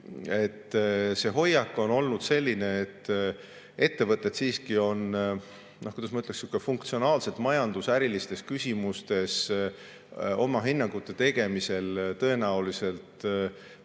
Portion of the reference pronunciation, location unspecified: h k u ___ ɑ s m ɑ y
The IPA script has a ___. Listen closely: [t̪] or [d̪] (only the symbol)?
d̪